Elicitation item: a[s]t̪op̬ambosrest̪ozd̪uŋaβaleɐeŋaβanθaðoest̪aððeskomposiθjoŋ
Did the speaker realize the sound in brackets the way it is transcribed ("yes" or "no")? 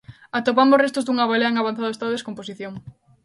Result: no